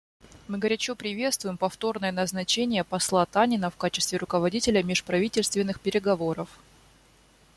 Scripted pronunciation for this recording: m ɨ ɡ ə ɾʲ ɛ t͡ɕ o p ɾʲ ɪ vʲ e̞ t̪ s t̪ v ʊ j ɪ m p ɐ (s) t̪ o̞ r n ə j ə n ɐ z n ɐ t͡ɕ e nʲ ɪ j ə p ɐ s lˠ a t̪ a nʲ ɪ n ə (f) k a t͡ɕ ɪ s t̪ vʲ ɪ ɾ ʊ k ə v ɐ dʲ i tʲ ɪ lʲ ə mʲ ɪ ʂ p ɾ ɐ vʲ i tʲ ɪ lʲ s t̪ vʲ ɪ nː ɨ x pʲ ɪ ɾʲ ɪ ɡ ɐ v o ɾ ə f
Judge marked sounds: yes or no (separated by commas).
no, yes